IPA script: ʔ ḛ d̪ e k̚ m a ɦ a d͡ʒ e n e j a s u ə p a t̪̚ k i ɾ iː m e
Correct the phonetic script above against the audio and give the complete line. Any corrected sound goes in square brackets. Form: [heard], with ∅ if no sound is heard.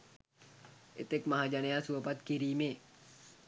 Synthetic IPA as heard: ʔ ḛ [t̪] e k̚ m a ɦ a d͡ʒ [a] n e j a s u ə p a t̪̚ k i ɾ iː m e

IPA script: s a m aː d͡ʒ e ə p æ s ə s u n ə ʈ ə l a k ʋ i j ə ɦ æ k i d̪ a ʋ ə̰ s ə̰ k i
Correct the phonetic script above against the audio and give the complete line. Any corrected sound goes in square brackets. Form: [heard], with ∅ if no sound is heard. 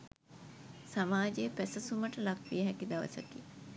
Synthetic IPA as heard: s a m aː d͡ʒ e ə p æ s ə s u [m] ə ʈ ə l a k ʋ i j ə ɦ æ k i d̪ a ʋ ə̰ s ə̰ k i

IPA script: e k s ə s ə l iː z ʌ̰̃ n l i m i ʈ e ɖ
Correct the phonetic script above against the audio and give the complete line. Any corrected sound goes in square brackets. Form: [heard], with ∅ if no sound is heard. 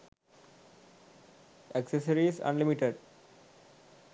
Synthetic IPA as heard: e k s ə s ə [ɾ] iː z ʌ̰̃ n l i m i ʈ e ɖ

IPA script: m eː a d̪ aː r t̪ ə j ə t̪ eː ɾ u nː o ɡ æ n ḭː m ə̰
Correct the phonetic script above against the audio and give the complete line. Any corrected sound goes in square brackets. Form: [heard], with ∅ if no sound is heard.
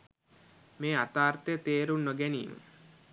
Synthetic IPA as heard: m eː a [t̪] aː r t̪ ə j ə t̪ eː ɾ u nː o ɡ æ n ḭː m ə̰

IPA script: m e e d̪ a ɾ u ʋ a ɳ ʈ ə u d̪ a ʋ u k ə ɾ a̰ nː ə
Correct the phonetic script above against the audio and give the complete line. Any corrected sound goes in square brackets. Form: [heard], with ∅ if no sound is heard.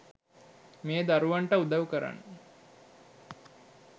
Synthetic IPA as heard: m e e d̪ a ɾ u ʋ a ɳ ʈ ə u d̪ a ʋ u k ə ɾ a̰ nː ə

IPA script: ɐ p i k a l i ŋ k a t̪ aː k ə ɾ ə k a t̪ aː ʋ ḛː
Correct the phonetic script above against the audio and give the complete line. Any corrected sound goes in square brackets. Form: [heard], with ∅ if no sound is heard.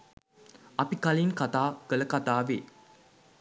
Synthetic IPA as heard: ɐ p i k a l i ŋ k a t̪ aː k ə [l] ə k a t̪ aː ʋ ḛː

